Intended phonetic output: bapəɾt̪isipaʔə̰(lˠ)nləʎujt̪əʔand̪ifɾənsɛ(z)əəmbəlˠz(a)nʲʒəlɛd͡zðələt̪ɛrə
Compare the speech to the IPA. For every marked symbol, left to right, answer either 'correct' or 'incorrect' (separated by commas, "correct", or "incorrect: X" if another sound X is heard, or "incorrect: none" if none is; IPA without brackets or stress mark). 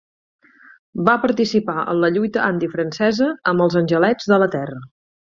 incorrect: none, correct, incorrect: ə